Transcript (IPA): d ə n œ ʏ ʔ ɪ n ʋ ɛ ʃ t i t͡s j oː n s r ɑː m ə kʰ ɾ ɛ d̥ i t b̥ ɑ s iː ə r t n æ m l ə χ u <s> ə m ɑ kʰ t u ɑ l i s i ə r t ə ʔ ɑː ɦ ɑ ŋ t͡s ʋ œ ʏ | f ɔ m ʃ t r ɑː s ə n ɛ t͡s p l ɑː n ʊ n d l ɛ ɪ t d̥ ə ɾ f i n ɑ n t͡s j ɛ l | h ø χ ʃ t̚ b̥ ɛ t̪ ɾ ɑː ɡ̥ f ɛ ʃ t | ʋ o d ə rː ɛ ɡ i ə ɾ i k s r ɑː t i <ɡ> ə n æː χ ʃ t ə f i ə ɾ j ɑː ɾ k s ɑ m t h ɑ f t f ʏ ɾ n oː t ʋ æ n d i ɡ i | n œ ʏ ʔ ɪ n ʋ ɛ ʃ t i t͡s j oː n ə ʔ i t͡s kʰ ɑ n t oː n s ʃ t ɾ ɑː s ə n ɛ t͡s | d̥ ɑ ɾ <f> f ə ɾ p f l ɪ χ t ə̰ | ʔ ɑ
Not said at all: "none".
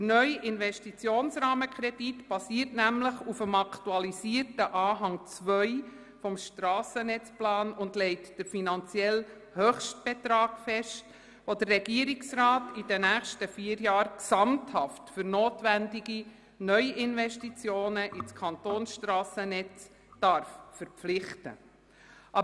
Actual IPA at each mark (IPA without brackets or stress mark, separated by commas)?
f, d, f